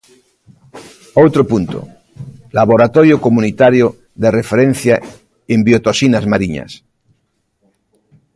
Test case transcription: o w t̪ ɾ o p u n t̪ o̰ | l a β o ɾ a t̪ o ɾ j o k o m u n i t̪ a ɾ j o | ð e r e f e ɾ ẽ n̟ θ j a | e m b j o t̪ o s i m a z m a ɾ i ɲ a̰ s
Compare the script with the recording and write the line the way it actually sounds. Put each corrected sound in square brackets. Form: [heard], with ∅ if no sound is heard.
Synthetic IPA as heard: o w t̪ ɾ o p u n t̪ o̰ | l a β o ɾ a t̪ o ɾ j o k o m u n i t̪ a ɾ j o | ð e r e f e ɾ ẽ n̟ θ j a | e m b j o t̪ o s i [n] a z m a ɾ i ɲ a̰ s